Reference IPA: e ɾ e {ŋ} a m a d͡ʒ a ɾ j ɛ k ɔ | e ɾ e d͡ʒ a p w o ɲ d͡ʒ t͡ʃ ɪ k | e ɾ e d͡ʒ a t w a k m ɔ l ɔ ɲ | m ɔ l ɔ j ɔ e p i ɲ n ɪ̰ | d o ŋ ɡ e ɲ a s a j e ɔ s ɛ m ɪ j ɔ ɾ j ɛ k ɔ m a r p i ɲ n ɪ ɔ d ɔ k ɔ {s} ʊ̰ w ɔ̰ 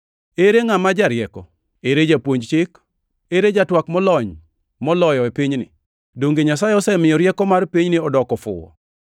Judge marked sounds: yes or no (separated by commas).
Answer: yes, no